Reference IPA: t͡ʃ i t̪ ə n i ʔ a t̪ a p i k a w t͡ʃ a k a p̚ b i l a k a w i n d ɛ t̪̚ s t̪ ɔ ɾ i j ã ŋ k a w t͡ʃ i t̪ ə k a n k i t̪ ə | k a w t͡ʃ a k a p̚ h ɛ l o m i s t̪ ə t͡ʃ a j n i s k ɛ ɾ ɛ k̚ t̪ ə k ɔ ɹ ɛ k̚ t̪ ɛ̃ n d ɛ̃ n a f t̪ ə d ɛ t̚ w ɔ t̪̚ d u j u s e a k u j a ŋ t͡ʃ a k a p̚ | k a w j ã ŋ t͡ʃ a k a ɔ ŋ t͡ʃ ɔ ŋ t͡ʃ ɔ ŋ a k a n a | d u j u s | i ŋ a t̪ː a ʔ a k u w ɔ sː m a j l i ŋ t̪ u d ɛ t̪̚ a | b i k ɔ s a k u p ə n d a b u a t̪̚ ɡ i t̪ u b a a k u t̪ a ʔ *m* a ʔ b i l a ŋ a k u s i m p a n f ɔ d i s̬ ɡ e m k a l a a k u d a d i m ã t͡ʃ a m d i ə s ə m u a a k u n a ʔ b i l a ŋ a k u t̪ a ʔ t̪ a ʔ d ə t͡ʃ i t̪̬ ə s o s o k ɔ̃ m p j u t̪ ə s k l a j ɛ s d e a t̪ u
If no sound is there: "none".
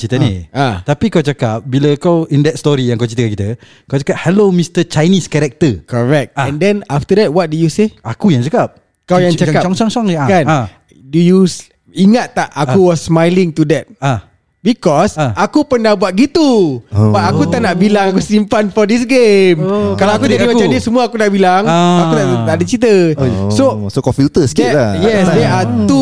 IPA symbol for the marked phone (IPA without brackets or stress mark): n